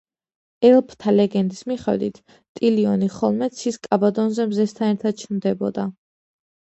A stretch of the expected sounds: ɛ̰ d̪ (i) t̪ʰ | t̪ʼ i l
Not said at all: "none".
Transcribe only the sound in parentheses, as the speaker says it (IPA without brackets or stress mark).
i